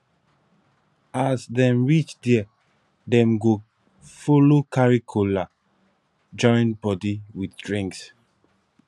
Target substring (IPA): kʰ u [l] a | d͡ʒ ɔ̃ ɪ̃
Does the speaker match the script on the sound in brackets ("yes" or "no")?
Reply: yes